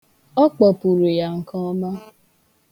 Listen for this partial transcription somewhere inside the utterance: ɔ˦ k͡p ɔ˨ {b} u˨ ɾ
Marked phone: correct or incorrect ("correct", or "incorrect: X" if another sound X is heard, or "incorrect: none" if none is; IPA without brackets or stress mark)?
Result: incorrect: p